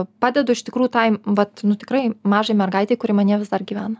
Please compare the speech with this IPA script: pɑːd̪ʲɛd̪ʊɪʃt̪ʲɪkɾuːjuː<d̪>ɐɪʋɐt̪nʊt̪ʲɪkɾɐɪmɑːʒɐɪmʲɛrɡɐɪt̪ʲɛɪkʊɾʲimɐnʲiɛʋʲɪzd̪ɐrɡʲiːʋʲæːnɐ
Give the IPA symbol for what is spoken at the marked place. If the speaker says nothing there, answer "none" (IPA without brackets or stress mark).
t̪